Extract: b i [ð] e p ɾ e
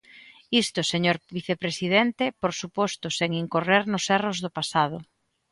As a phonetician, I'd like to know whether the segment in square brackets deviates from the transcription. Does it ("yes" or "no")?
yes